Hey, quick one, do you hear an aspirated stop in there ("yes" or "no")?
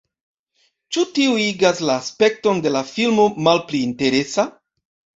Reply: no